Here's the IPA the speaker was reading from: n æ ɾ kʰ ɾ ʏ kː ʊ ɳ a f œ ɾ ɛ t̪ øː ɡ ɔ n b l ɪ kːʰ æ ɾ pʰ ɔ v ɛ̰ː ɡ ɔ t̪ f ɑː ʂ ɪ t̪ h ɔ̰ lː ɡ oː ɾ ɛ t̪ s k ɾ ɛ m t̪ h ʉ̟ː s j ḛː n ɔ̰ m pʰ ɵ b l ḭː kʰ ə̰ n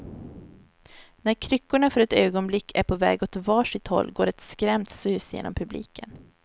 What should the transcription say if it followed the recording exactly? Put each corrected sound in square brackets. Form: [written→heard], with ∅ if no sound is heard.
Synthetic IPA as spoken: n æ ɾ kʰ ɾ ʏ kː ʊ ɳ a f œ ɾ ɛ t̪ øː ɡ ɔ n b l ɪ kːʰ æ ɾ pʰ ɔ v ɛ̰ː ɡ ɔ t̪ [f→v] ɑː ʂ ɪ t̪ h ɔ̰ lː ɡ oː ɾ ɛ t̪ s k ɾ ɛ m t̪ [h→s] ʉ̟ː s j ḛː n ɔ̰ m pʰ ɵ b l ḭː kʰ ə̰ n